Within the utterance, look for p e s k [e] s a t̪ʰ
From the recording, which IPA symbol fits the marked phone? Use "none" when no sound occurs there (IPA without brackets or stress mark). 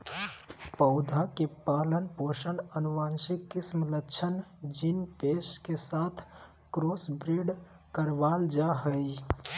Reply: e